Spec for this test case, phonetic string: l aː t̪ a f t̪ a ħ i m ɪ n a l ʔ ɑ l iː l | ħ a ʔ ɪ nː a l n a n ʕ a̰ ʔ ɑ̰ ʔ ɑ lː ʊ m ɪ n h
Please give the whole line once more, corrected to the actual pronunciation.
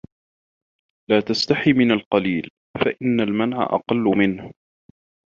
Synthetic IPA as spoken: l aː t̪ a s t̪ a ħ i m ɪ n a l q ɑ l iː l | f a ʔ ɪ nː a l m a n ʕ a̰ ʔ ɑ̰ q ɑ lː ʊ m ɪ n h